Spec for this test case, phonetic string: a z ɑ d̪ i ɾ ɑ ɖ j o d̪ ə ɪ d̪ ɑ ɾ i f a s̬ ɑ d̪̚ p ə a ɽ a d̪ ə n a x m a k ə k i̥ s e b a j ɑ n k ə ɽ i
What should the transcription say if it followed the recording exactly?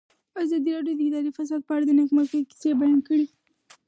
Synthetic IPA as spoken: a z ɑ d̪ i ɾ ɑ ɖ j o d̪ ə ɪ d̪ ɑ ɾ i f a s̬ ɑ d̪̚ p ə a ɽ a d̪ ə n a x m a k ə k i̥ s e b a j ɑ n k ə ɽ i